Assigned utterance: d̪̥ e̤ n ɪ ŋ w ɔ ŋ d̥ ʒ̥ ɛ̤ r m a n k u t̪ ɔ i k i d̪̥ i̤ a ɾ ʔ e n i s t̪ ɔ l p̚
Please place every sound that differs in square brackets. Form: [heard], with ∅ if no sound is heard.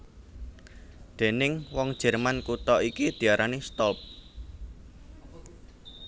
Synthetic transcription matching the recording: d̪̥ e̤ n ɪ ŋ w ɔ ŋ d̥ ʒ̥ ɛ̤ r m a n k u t̪ ɔ i k i d̪̥ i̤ a ɾ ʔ [a] n i s t̪ ɔ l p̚